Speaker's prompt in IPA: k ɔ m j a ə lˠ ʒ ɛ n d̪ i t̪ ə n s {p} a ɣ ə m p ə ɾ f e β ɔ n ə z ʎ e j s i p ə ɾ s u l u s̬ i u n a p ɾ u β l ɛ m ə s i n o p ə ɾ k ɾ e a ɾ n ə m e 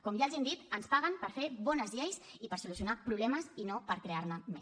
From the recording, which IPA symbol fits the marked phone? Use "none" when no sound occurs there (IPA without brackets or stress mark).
p